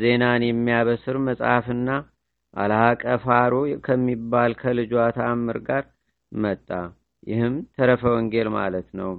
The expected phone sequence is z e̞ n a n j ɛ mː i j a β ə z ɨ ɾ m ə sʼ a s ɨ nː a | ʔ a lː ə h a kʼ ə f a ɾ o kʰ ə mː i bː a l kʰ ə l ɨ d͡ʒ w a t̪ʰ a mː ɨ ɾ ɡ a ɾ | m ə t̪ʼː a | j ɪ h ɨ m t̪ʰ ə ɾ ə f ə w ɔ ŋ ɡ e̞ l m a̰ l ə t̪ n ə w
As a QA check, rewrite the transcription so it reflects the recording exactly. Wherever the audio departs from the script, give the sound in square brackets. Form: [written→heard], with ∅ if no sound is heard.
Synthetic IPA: z e̞ n a n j ɛ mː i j a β ə [z→s] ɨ ɾ m ə sʼ a [s→f] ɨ nː a | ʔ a [lː→l] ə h a kʼ ə f a ɾ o kʰ ə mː i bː a l kʰ ə l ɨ d͡ʒ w a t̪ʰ a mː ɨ ɾ ɡ a ɾ | m ə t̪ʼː a | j ɪ h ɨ m t̪ʰ ə ɾ ə f ə w ɔ ŋ ɡ e̞ l m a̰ l ə t̪ n ə w